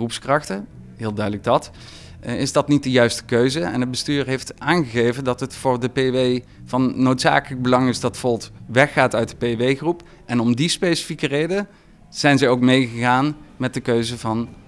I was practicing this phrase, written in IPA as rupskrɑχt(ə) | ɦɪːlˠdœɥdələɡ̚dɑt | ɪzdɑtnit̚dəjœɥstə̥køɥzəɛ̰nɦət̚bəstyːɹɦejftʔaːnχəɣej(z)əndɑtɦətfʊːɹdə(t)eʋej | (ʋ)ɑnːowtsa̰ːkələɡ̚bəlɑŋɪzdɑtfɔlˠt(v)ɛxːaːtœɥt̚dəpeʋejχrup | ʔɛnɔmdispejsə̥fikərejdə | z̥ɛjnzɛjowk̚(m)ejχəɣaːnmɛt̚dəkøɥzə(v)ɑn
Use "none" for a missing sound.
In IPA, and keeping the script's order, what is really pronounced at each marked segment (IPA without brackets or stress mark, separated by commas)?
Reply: ə, v, p, v, ʋ, m, v